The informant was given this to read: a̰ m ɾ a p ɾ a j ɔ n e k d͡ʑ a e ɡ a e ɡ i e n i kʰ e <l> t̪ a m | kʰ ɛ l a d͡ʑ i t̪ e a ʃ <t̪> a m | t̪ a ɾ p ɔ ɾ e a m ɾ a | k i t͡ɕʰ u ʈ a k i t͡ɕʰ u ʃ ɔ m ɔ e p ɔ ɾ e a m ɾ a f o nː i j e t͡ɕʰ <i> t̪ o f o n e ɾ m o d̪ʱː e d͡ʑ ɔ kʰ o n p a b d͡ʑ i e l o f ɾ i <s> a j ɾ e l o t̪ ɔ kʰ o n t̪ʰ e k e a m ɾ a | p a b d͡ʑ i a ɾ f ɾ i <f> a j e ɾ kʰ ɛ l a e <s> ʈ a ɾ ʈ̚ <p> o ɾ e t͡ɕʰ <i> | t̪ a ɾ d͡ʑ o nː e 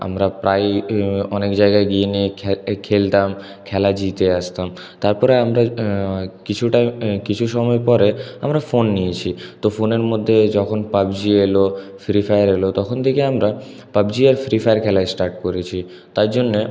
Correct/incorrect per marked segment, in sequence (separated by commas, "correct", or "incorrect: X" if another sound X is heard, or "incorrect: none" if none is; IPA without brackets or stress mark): correct, correct, correct, incorrect: f, correct, correct, incorrect: k, correct